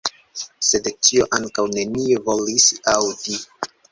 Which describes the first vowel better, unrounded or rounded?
unrounded